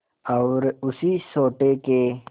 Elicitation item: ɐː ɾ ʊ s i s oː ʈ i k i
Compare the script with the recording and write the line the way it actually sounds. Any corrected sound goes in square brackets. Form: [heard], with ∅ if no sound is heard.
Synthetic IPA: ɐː ɾ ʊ s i s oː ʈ [e] k [e]